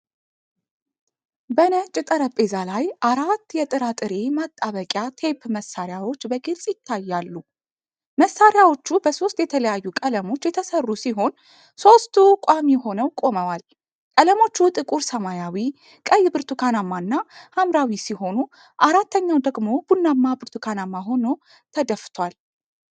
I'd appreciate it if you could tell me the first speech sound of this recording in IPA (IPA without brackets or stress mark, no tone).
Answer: b